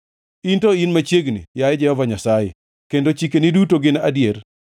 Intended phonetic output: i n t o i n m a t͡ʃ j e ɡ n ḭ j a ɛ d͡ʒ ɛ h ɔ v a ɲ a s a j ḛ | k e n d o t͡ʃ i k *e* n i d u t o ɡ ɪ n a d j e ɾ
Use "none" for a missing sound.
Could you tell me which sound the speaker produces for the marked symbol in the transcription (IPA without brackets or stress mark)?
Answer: e